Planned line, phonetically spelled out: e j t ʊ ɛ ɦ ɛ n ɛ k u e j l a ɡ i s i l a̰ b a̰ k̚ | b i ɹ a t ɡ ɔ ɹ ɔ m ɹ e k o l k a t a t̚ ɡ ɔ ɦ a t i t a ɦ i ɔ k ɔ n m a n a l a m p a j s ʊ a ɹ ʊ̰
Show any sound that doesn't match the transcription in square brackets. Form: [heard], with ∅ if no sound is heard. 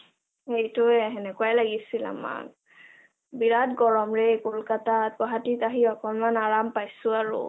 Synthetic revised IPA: e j t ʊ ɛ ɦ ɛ n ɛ k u [a] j l a ɡ i s i l a̰ [m] a̰ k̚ | b i ɹ a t ɡ ɔ ɹ ɔ m ɹ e k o l k a t a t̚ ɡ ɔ ɦ a t i t a ɦ i ɔ k ɔ n m a n a [ɹ] a m p a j s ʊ a ɹ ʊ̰